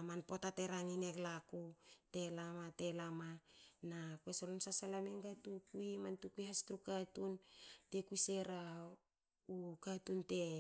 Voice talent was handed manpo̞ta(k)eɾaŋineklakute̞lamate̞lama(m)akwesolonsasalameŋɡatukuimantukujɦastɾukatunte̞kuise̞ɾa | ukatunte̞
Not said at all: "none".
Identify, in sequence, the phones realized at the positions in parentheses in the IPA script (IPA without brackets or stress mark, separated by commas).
t, n